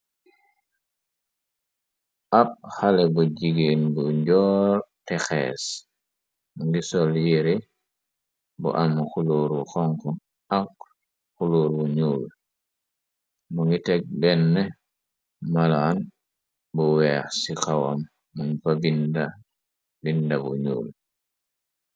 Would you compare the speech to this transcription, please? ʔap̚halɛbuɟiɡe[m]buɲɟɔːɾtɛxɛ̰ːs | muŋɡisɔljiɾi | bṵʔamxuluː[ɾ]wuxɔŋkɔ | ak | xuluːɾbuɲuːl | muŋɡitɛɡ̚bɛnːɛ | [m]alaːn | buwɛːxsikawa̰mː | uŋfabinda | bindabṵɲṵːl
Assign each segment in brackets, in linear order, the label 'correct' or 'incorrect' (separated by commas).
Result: incorrect, correct, correct